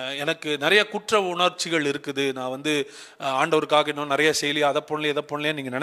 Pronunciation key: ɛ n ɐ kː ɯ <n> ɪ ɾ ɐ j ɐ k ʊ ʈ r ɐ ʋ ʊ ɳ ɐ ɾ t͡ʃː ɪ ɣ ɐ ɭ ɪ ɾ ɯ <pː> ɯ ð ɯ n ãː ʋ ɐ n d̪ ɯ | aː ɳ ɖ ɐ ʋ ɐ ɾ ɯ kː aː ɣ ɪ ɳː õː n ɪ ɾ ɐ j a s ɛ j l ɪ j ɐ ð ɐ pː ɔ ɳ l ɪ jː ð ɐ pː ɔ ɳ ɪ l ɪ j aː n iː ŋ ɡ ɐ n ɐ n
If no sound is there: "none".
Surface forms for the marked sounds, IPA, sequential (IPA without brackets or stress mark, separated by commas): n, kː